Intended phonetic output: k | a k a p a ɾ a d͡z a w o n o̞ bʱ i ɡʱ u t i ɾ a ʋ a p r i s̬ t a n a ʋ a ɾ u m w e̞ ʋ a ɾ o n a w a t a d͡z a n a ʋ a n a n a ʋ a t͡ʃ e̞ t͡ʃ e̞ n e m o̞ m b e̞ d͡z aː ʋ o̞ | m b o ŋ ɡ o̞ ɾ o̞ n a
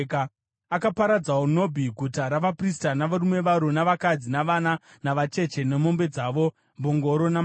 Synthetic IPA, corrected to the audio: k | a k a p a ɾ a d͡z a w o n o̞ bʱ i ɡʱ u t a ɾ a ʋ a p r i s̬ t a n a ʋ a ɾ u m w e̞ ʋ a ɾ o n a ʋ a k a d͡z i n a ʋ a n a n a ʋ a t͡ʃ e̞ t͡ʃ e̞ n e m o̞ m b e̞ d͡z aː ʋ o̞ | m b o ŋ ɡ o̞ ɾ o̞ n a